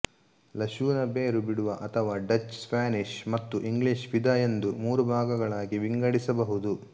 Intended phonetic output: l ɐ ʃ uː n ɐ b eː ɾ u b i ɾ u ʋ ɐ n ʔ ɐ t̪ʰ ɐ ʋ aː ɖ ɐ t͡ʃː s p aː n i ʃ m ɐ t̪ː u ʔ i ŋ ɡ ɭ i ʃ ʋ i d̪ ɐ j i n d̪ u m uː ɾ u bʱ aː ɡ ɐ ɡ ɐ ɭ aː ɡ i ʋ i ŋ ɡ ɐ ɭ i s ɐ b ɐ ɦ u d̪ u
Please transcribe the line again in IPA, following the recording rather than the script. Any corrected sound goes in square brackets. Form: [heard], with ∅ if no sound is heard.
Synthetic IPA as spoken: l ɐ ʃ uː n ɐ b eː ɾ u b i [ɽ] u ʋ ɐ [∅] ʔ ɐ t̪ʰ ɐ ʋ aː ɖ ɐ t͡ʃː s p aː n i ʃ m ɐ t̪ː u ʔ i ŋ ɡ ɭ i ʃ ʋ i d̪ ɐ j [e] n d̪ u m uː ɾ u bʱ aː ɡ ɐ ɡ ɐ ɭ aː ɡ i ʋ i ŋ ɡ ɐ [ɽ] i s ɐ b ɐ ɦ u d̪ u